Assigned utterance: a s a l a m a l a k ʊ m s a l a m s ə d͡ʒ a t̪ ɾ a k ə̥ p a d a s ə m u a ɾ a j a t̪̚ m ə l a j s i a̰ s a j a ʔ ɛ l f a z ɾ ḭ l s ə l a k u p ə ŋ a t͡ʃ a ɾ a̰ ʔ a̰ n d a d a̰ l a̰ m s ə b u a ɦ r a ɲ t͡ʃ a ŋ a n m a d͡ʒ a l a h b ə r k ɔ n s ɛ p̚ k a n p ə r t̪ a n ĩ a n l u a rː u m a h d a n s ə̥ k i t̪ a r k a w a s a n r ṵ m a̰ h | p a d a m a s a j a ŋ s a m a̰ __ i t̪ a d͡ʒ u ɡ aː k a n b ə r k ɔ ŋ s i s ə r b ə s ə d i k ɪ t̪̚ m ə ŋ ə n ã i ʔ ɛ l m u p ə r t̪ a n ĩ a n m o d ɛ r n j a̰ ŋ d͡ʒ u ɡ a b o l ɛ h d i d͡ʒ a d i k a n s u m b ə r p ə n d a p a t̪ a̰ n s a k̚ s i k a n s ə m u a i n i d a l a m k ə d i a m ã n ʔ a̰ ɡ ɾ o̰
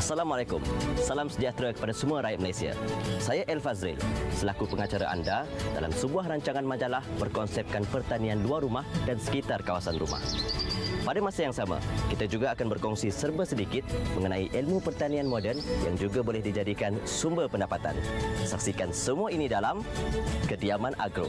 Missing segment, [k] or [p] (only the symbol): k